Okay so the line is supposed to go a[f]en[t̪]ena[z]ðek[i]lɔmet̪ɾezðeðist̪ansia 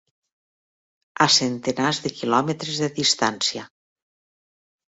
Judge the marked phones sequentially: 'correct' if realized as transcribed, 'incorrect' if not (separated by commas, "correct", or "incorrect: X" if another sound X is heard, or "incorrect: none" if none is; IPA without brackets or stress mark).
incorrect: s, correct, correct, correct